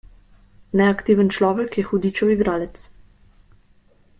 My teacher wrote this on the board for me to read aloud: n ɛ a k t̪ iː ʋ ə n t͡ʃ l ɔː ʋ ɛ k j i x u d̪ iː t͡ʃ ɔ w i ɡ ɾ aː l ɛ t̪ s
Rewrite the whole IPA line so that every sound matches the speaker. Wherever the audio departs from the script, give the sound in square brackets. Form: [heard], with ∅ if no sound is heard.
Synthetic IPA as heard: n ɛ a k t̪ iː ʋ ə n t͡ʃ l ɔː ʋ ɛ k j [ɛ] x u d̪ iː t͡ʃ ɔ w i ɡ ɾ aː l ɛ t̪ s